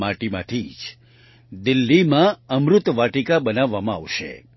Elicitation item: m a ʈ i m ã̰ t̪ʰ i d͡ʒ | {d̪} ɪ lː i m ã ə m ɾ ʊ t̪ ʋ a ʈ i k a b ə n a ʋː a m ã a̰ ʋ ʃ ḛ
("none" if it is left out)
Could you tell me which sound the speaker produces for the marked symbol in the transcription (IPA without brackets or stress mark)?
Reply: d̪